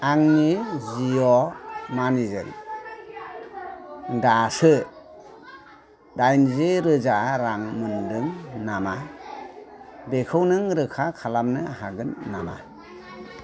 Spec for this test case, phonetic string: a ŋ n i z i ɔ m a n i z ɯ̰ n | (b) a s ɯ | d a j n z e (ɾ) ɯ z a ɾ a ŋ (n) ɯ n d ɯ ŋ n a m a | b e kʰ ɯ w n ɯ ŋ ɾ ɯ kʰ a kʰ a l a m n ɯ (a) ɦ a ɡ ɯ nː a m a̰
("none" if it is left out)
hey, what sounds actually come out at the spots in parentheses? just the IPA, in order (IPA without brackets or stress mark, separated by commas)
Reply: d, ɾ, m, a